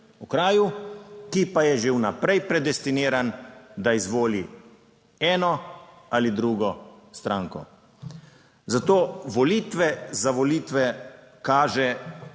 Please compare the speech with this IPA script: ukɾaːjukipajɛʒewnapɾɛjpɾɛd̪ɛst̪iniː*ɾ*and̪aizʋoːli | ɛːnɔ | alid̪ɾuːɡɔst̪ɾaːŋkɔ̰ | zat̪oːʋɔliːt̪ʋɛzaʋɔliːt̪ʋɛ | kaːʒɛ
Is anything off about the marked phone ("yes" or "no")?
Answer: no